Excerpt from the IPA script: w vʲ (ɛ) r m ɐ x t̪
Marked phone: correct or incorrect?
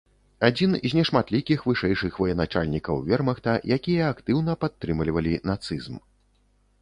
correct